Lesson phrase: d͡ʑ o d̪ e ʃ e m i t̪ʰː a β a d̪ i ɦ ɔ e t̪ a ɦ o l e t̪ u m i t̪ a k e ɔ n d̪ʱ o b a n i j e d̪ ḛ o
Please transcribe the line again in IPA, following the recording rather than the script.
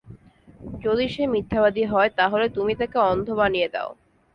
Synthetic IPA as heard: d͡ʑ o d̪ i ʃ e m i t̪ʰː a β a d̪ i ɦ ɔ e t̪ a ɦ o l e t̪ u m i t̪ a k e ɔ n d̪ʱ o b a n i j e d̪ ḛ o